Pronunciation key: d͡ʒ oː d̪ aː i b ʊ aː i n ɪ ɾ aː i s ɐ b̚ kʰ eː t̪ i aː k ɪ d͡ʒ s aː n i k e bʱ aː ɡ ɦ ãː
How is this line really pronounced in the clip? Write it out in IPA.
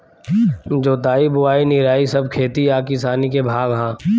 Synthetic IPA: d͡ʒ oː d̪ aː i b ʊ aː i n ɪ ɾ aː i s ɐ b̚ kʰ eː t̪ i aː k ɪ s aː n i k e bʱ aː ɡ ɦ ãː